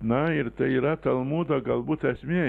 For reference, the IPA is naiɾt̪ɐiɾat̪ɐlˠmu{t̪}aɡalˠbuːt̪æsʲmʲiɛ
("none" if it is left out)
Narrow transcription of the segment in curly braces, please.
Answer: d̪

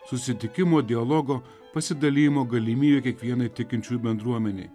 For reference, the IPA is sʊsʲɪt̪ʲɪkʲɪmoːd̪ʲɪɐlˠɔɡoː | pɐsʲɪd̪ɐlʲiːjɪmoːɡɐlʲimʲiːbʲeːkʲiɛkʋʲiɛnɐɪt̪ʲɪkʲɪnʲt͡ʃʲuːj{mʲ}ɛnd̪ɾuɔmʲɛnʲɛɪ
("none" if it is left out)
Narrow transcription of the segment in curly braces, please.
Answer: bʲ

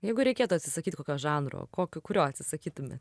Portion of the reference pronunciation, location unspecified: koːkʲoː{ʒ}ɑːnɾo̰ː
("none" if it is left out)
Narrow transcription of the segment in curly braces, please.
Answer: ʒ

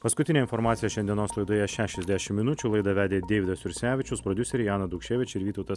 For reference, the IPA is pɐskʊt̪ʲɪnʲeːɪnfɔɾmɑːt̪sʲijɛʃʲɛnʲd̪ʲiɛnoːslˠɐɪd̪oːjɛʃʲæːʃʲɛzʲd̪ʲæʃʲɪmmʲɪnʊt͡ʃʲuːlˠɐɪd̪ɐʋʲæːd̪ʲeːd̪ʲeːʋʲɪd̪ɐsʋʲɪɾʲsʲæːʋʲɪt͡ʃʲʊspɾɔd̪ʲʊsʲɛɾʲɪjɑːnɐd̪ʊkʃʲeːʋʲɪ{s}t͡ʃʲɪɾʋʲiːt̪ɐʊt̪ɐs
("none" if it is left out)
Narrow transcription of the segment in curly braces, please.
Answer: none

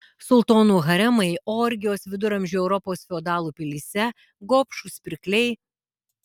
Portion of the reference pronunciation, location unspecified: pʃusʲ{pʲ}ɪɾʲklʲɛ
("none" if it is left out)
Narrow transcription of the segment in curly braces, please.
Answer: pʲ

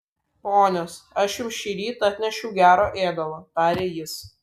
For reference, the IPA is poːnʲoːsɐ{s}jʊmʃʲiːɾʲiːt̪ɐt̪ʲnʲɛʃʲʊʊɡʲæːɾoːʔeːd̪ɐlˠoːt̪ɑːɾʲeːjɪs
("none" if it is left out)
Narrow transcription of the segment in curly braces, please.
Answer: ʃ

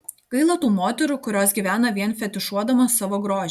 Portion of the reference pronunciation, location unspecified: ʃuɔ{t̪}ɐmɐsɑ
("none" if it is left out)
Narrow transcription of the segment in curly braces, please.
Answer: d̪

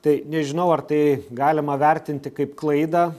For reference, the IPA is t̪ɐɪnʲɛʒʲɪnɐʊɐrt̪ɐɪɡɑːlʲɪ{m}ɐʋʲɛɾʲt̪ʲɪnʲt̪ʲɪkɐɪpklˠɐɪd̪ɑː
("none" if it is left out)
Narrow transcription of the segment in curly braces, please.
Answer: m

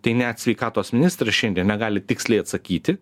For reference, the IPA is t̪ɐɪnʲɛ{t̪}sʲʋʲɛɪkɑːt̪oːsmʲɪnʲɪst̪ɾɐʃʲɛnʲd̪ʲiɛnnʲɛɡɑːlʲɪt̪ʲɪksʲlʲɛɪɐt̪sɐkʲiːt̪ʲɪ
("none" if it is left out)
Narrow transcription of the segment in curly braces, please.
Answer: t̪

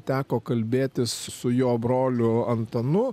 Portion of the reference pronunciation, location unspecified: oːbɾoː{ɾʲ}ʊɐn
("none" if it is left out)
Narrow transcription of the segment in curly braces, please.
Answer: lʲ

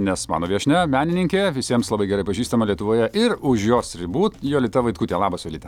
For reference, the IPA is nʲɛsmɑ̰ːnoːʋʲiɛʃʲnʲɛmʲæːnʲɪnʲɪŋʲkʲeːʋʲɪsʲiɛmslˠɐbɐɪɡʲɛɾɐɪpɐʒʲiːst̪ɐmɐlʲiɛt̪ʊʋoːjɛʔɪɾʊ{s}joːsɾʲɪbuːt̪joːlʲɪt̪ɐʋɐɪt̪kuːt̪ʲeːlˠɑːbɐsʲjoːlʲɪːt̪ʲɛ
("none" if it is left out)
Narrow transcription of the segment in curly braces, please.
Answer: ʃ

